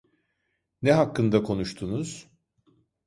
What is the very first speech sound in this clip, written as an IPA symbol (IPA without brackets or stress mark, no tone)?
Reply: n